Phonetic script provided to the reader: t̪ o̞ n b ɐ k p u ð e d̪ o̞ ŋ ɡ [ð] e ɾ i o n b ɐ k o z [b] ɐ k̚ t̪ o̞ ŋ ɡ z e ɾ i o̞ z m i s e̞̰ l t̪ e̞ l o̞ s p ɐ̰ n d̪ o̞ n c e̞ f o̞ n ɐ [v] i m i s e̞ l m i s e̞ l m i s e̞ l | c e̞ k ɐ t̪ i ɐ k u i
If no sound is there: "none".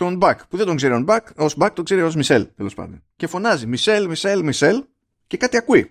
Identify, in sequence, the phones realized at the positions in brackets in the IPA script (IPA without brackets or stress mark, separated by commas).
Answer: z, b, z